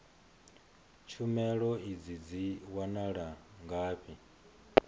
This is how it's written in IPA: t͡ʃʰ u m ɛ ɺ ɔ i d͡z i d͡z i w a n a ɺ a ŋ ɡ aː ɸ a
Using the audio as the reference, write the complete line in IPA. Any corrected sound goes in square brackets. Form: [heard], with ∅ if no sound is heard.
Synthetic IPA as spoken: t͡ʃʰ u m ɛ ɺ ɔ i d͡z i d͡z i w a n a ɺ a ŋ ɡ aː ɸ [i]